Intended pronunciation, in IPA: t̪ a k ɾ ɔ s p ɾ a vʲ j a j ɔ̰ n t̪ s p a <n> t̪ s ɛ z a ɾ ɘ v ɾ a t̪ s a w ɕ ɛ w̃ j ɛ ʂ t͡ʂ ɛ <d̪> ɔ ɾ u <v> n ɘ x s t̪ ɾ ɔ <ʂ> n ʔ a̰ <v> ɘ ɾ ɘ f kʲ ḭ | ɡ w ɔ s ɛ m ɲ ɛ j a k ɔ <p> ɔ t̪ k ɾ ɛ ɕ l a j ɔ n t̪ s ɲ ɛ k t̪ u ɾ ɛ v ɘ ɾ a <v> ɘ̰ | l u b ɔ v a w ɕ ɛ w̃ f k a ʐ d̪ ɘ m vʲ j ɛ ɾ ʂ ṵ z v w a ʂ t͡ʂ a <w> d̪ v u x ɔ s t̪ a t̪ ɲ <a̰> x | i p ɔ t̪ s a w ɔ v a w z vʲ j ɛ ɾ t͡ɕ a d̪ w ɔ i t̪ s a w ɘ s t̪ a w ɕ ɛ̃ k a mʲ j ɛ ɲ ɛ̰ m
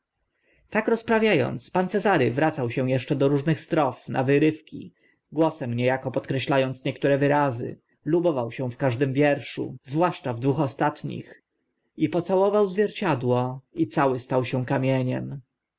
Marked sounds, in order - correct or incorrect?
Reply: correct, correct, incorrect: ʐ, incorrect: f, correct, correct, incorrect: z, incorrect: v, incorrect: ḭ

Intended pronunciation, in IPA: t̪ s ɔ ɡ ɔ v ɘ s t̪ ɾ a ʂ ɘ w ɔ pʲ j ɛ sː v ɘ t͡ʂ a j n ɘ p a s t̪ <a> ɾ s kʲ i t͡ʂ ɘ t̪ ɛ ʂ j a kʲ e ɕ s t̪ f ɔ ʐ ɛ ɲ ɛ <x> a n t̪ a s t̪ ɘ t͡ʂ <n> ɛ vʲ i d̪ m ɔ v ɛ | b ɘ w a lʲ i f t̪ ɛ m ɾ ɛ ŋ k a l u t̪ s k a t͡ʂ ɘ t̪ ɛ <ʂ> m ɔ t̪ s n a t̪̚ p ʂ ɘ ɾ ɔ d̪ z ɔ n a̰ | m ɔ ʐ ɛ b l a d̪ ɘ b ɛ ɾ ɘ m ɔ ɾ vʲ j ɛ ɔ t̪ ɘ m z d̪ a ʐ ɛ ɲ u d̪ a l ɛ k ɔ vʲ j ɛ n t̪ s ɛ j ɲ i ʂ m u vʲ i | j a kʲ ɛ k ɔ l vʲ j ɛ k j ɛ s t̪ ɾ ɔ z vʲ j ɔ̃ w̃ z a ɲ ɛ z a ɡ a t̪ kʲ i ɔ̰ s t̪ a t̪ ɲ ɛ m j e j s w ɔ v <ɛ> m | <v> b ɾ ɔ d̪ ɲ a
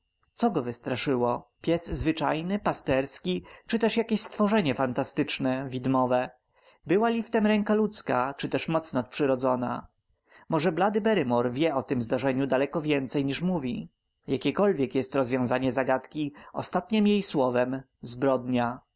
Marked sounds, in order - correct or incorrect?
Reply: incorrect: ɛ, incorrect: f, correct, correct, correct, incorrect: z

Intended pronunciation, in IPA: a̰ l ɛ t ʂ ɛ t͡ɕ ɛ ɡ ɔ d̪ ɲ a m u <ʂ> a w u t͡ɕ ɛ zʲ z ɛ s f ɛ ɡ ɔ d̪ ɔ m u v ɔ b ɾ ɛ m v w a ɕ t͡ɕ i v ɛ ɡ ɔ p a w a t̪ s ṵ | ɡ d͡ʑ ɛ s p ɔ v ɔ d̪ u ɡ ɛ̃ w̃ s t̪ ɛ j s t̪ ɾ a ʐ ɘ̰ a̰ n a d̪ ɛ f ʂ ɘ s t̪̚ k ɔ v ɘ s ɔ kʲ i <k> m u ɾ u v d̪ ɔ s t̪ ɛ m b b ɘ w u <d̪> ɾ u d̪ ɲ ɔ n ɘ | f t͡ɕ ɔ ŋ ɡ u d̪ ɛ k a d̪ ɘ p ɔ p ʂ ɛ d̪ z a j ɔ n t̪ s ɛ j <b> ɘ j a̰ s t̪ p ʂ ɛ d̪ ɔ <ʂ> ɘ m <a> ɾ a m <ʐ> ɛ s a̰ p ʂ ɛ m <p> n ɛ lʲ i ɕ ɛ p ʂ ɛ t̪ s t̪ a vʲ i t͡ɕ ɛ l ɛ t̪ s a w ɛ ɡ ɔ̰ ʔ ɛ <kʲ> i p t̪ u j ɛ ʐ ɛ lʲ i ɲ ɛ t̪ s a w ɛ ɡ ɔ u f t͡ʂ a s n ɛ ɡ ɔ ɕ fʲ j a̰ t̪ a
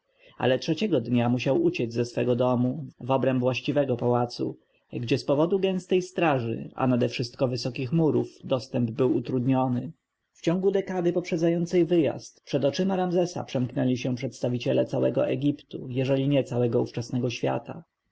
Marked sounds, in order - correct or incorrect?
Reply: incorrect: ɕ, incorrect: x, incorrect: t̪, incorrect: v, incorrect: t͡ʂ, correct, incorrect: z, incorrect: k, incorrect: ɡʲ

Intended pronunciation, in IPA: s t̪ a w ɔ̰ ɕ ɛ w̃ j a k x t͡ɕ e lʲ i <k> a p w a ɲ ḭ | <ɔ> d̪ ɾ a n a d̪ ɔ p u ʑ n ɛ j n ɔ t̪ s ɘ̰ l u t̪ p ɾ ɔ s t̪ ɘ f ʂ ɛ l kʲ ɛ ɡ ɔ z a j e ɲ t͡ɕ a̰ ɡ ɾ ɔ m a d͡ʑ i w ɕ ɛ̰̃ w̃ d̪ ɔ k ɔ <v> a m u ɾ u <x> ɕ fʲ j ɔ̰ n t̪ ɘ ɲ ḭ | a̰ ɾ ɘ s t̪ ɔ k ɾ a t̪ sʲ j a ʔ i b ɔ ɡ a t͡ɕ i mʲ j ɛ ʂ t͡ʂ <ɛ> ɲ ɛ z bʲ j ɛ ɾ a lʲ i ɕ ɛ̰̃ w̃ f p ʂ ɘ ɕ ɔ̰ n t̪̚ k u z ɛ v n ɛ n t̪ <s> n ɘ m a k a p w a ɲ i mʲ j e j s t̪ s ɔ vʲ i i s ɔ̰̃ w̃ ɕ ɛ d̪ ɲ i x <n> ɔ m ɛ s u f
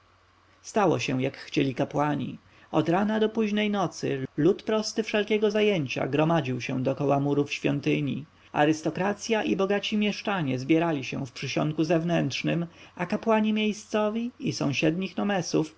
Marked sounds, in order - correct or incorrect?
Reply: correct, correct, incorrect: w, incorrect: f, incorrect: a, incorrect: ʂ, correct

